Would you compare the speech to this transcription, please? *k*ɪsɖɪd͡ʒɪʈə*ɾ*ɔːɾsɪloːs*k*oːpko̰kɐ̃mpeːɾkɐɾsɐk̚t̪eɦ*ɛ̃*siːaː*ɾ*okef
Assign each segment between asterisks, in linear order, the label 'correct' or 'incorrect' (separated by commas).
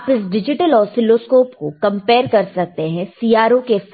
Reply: incorrect, incorrect, correct, correct, correct